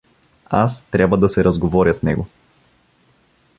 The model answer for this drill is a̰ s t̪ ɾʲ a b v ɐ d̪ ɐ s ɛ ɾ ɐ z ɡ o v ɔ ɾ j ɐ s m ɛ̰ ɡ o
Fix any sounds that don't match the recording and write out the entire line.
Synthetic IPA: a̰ s t̪ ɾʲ a b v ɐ d̪ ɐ s ɛ ɾ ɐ z ɡ o v ɔ ɾ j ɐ s n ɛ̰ ɡ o